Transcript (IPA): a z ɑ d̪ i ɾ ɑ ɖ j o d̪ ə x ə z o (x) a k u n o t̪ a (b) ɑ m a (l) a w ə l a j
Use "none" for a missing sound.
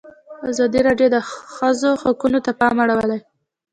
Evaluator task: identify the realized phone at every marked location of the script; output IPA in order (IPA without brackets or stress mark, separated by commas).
x, p, ɽ